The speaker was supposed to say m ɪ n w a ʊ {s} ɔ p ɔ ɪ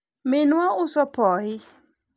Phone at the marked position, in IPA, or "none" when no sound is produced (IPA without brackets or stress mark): s